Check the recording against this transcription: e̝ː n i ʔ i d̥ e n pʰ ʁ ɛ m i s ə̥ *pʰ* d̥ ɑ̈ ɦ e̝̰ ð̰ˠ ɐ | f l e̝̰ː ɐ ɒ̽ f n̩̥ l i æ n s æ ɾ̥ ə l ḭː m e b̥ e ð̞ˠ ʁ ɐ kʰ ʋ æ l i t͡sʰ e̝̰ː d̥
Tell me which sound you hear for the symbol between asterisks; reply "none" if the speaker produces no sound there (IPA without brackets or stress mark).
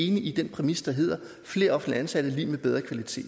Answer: none